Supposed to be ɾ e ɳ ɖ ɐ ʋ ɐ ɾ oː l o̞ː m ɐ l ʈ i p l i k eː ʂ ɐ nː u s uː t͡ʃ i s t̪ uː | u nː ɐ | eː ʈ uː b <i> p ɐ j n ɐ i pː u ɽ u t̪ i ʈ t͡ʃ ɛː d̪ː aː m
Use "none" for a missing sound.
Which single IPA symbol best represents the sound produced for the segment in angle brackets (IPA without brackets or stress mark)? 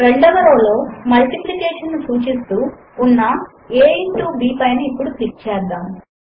iː